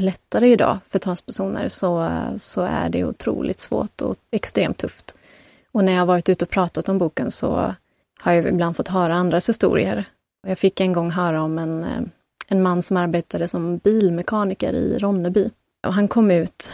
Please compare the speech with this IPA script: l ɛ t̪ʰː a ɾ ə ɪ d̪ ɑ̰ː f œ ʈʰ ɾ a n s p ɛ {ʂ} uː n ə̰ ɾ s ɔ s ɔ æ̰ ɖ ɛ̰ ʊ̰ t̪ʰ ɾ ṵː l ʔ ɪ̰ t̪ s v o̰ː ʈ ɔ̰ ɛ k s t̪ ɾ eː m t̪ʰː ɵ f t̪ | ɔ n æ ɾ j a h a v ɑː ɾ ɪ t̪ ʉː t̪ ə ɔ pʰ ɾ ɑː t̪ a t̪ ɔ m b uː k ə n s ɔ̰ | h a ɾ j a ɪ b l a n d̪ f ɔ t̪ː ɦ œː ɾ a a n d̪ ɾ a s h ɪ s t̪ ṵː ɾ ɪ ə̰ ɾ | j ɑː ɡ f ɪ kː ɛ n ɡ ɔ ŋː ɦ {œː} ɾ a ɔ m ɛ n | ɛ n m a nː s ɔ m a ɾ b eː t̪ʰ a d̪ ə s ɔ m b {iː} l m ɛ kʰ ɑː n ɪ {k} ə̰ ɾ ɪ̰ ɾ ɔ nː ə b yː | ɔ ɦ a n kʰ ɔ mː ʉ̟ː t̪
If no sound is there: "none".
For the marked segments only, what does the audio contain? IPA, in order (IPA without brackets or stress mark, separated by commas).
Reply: ʂ, œː, iː, k